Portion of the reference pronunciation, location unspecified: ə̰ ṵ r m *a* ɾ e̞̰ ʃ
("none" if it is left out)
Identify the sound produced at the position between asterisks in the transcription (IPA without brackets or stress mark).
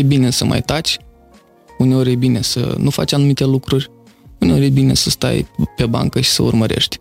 ə